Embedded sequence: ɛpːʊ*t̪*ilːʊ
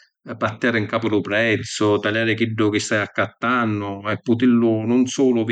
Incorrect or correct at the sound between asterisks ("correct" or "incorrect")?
correct